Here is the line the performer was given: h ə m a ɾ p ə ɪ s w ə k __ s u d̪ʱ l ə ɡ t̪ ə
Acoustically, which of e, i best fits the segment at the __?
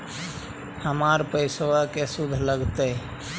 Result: e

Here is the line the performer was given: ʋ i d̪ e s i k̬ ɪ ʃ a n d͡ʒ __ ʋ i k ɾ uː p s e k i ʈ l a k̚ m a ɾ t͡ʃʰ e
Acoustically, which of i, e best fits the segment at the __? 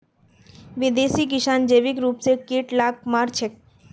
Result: e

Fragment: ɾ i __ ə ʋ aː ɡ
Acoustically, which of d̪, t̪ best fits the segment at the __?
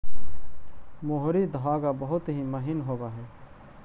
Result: d̪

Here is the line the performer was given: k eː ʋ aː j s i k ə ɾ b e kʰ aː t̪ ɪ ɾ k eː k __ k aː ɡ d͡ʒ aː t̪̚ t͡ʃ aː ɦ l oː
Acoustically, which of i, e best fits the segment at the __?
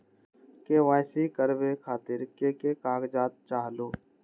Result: e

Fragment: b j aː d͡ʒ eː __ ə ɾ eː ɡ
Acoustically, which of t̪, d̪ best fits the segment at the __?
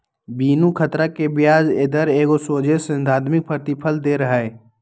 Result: d̪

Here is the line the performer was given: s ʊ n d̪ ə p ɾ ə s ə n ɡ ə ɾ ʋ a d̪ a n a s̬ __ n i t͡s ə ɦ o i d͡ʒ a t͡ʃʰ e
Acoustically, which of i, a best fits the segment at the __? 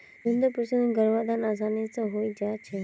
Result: a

